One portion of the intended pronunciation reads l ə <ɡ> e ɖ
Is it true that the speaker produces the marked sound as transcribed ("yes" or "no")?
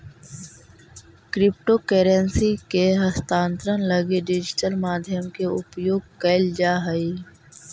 yes